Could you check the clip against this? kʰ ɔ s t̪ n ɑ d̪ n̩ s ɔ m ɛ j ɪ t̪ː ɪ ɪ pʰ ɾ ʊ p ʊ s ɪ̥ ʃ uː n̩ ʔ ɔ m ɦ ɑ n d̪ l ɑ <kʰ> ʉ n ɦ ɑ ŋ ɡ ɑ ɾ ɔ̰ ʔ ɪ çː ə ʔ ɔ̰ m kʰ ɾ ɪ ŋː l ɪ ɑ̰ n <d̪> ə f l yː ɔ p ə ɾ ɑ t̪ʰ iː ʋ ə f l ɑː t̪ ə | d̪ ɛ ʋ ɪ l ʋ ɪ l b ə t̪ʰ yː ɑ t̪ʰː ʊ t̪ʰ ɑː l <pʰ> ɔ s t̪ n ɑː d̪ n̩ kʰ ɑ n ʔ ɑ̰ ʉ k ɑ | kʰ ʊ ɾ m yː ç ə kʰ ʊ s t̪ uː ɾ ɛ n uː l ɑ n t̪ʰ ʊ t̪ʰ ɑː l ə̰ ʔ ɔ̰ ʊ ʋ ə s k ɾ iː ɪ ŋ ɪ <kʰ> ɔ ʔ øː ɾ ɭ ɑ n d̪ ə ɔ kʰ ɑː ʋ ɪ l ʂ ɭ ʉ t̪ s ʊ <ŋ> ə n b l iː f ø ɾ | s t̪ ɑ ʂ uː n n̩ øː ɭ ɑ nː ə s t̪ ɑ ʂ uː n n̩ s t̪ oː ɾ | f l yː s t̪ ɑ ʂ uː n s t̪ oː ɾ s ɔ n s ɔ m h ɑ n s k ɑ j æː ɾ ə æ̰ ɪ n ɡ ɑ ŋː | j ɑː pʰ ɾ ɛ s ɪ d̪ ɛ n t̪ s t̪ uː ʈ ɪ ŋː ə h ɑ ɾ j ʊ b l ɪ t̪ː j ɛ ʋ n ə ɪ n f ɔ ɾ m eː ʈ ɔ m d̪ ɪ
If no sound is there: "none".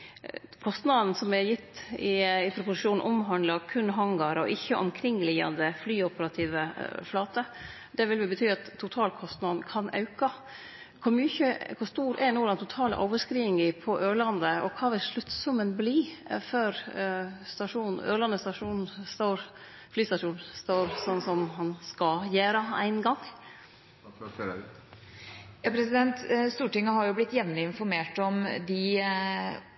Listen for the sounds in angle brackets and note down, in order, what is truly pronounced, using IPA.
kʰ, d̪, kʰ, pʰ, m

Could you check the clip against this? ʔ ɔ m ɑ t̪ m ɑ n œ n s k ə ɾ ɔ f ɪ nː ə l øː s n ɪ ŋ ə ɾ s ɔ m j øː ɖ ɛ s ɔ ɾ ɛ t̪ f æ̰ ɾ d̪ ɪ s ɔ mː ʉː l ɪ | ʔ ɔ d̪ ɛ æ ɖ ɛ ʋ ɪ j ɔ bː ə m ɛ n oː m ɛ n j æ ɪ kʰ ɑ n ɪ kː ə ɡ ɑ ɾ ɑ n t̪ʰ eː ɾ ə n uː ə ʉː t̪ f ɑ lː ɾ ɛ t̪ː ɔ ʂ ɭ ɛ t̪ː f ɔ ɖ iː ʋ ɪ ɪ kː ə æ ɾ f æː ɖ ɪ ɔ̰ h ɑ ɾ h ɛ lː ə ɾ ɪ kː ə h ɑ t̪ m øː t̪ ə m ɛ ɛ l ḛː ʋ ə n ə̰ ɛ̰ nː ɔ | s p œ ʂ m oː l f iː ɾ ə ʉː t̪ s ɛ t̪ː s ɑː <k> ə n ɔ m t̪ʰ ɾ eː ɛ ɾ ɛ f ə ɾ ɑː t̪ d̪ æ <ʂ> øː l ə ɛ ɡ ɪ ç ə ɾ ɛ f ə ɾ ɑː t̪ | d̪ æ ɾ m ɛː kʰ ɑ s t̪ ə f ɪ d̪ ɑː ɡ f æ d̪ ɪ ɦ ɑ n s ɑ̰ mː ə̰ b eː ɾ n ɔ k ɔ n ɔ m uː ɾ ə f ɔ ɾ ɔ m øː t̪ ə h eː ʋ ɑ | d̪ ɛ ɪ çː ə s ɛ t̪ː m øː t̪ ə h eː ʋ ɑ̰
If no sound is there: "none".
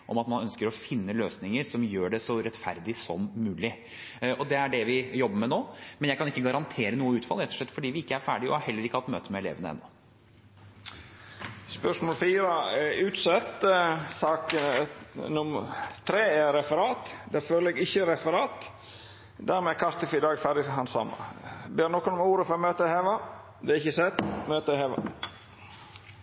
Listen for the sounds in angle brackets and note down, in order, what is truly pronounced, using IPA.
k, f

